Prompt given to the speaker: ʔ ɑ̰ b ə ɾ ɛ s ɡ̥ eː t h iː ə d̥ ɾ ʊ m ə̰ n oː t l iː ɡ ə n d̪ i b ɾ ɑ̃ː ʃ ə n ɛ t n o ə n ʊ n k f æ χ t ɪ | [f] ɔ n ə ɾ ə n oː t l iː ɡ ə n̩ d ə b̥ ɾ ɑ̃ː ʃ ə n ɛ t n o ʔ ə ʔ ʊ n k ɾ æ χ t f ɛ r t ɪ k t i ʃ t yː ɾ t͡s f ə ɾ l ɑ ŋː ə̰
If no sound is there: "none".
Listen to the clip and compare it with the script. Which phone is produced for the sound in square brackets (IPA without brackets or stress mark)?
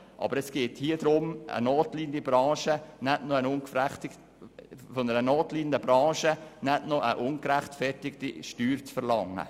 f